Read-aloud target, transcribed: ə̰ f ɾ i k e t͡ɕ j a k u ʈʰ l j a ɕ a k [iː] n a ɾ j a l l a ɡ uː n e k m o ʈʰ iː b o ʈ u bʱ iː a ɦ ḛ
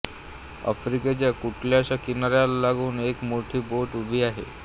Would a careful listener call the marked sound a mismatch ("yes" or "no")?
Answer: yes